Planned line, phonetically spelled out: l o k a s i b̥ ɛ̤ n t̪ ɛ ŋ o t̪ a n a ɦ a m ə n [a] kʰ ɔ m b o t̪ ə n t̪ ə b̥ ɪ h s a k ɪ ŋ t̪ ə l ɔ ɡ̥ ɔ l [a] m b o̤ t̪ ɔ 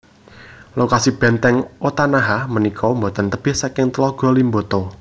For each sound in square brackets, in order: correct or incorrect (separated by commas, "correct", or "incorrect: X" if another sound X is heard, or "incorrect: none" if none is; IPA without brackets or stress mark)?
incorrect: i, incorrect: i